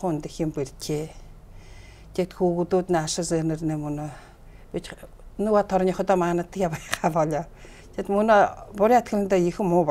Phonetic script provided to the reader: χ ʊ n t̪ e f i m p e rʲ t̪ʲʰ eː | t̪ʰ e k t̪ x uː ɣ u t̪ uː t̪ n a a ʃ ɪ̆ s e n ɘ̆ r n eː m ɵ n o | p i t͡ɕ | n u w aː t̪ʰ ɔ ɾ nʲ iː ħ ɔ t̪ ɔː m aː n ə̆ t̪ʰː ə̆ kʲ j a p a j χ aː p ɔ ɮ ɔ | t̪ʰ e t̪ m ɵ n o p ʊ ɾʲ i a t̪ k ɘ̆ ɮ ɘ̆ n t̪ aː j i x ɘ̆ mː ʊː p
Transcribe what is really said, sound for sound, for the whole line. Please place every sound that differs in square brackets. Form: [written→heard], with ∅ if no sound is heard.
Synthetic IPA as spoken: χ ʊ n t̪ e [f→x] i m p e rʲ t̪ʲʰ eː | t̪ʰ e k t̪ x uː ɣ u t̪ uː t̪ n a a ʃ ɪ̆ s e n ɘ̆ r n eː m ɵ n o | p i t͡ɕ | n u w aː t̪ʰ ɔ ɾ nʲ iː [ħ→χ] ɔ t̪ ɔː m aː n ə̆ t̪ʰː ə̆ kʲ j a p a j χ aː p ɔ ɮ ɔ | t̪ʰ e t̪ m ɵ n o p ʊ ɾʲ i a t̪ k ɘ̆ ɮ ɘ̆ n t̪ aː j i x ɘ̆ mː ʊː p